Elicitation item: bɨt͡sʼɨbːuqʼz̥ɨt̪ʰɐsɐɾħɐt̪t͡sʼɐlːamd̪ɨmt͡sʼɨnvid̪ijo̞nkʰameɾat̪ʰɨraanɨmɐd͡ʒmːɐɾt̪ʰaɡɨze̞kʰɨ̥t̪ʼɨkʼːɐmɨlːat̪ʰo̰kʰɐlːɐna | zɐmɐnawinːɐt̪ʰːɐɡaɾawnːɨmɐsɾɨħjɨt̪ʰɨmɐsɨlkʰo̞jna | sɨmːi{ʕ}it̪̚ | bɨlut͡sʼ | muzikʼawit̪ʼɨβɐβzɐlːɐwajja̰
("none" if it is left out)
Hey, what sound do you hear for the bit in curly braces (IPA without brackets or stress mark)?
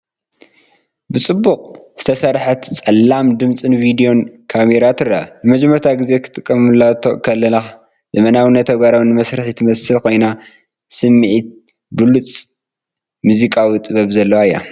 ʕ